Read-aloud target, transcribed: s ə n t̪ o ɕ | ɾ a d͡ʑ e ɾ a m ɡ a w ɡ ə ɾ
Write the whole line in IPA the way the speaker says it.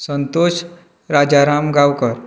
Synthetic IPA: s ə n t̪ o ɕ | ɾ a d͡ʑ a ɾ a m ɡ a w k ə ɾ